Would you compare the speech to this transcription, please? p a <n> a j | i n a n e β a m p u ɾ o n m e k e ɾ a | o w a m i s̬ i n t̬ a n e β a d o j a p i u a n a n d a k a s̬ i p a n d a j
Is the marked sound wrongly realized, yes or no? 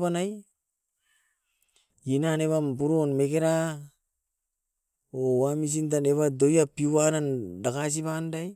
no